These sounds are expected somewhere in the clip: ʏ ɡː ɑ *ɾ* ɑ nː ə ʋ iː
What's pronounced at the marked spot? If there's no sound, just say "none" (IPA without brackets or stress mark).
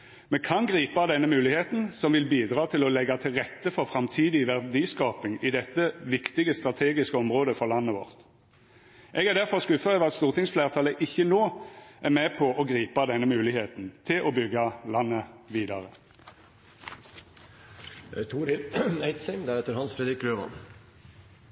l